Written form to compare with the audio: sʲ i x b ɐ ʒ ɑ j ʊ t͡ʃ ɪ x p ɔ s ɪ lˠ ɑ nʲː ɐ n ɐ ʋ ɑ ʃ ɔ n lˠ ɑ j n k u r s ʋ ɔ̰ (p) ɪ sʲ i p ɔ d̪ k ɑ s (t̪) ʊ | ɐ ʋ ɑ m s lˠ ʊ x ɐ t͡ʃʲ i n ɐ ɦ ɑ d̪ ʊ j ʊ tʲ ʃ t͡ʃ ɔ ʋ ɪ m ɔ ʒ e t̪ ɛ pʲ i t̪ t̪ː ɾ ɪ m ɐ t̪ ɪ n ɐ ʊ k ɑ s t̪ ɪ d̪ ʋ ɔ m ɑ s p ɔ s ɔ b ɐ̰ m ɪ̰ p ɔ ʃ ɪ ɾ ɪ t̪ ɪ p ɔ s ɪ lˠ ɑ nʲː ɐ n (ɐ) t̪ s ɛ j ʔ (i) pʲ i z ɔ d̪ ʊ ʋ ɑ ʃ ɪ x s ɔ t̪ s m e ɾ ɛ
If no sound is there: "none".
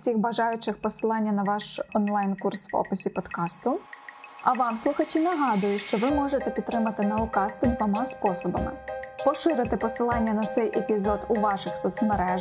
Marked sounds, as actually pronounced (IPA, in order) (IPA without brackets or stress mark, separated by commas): p, t̪, ɐ, e